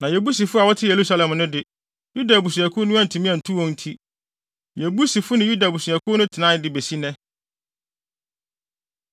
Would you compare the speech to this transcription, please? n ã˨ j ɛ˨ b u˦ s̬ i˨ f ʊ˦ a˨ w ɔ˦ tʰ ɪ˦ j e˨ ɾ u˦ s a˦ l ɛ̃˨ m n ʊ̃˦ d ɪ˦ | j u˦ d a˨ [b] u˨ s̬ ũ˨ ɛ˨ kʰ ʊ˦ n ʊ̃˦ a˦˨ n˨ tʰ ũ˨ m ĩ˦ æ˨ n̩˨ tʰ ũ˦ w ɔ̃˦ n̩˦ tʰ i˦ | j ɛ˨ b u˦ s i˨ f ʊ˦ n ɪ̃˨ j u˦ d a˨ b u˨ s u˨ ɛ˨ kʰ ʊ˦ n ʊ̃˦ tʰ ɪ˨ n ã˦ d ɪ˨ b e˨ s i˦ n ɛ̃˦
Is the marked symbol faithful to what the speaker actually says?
yes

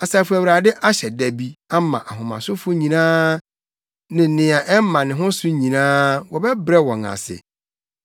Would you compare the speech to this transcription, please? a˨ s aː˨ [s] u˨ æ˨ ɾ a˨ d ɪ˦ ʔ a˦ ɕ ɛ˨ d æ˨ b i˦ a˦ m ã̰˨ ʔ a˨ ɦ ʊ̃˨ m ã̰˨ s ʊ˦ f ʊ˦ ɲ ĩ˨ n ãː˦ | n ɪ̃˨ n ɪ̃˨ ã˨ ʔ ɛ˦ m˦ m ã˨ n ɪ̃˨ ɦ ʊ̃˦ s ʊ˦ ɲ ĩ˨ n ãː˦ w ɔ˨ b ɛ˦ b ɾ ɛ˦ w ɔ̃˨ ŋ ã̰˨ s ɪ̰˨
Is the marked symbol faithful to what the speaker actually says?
no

